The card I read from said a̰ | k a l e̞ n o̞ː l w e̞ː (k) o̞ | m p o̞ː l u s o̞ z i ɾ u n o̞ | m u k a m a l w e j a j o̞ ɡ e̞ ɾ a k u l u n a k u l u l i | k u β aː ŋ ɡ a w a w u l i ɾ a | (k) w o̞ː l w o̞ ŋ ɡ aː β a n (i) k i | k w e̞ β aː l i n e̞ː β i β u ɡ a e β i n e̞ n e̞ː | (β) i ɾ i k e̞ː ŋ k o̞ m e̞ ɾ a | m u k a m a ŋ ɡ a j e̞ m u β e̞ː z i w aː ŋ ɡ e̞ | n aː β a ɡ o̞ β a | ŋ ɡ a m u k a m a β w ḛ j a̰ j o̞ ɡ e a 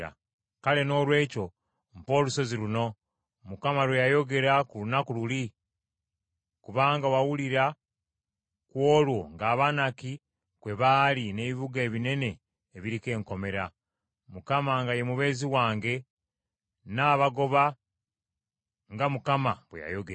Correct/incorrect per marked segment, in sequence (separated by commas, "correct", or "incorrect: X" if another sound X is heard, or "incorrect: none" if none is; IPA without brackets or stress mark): incorrect: c, correct, incorrect: a, correct